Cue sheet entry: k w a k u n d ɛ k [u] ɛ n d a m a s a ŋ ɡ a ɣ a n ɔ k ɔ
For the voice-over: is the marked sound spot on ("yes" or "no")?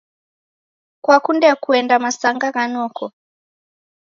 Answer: yes